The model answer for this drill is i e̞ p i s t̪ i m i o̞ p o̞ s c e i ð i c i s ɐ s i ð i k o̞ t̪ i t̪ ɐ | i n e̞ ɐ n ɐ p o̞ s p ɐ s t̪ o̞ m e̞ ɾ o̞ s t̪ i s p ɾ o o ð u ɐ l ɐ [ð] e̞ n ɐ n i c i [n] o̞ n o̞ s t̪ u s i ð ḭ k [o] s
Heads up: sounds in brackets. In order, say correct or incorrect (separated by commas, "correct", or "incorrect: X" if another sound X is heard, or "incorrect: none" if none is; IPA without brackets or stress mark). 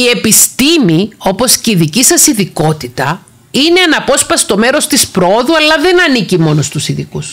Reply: correct, incorrect: m, incorrect: u